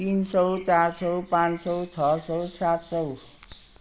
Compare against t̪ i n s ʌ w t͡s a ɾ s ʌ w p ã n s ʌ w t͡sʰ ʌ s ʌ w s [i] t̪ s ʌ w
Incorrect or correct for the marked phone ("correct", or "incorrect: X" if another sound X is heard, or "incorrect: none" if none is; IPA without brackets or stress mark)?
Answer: incorrect: a